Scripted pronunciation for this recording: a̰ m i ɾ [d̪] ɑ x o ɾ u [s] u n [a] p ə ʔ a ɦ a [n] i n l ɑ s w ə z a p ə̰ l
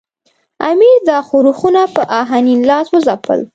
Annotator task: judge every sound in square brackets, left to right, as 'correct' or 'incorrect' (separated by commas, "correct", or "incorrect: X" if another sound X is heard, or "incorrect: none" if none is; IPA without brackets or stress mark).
correct, incorrect: x, correct, correct